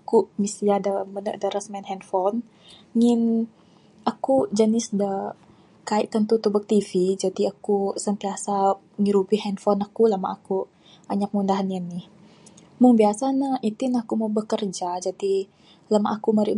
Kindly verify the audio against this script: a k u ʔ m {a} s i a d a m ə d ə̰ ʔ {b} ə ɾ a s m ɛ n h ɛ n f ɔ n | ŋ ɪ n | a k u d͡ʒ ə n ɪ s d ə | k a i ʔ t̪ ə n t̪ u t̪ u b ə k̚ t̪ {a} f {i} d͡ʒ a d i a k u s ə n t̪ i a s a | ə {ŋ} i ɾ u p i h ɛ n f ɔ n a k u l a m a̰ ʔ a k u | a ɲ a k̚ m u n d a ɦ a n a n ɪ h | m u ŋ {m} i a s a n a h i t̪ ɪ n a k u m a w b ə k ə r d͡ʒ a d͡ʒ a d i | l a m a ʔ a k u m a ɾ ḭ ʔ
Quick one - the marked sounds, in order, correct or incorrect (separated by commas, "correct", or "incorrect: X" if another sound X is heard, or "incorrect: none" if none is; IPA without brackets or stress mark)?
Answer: incorrect: i, incorrect: d, incorrect: i, correct, correct, incorrect: b